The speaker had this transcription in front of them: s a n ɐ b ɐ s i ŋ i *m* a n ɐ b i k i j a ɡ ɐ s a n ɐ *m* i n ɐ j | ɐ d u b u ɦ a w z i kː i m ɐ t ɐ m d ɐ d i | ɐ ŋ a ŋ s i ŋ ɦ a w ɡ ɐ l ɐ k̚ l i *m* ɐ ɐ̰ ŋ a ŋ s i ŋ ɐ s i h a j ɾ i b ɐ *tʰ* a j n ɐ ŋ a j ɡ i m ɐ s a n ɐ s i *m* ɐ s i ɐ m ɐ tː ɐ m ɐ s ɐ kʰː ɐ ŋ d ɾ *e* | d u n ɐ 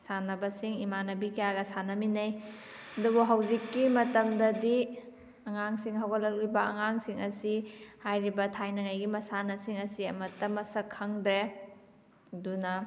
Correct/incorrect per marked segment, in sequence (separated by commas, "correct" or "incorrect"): correct, correct, incorrect, correct, incorrect, correct